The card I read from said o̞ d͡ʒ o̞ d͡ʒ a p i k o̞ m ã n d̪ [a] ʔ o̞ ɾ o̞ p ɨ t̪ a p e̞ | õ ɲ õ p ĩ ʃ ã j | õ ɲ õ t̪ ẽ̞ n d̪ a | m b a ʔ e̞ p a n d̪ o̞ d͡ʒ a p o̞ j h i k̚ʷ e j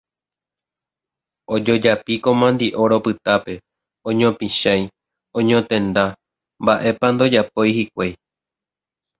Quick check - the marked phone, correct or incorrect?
incorrect: i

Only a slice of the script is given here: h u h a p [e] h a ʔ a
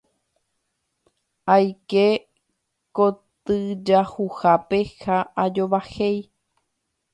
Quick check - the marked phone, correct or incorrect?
correct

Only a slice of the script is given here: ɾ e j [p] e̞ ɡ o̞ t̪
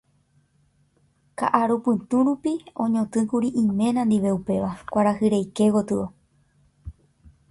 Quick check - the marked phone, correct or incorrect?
incorrect: k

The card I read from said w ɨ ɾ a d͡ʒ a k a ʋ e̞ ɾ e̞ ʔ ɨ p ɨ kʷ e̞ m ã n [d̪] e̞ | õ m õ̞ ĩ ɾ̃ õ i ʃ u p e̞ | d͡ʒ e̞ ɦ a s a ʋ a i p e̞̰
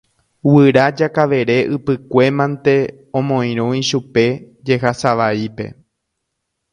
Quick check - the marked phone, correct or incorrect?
incorrect: t̪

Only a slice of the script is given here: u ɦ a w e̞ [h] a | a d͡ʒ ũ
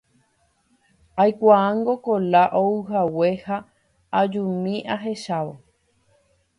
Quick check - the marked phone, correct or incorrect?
correct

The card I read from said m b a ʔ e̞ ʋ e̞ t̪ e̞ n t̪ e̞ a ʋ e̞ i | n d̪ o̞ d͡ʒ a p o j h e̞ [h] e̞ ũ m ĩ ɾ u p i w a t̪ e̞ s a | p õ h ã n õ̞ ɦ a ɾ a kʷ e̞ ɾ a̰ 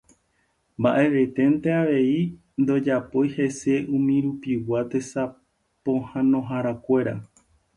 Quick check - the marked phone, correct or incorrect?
incorrect: s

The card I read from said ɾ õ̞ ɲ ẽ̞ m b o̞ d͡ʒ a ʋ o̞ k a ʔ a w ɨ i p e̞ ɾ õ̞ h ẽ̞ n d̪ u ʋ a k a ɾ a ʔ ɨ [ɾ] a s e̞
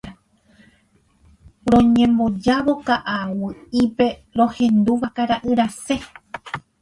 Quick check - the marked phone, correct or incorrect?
correct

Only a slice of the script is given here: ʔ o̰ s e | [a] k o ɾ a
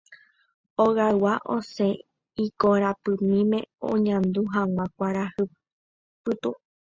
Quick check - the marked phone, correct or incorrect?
incorrect: i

